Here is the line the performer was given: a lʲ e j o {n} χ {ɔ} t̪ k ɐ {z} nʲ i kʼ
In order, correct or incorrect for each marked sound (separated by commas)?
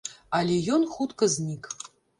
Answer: correct, incorrect, correct